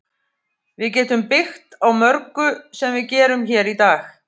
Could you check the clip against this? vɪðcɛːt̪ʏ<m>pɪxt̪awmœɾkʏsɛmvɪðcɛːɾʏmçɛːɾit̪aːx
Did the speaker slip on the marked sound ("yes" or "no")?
no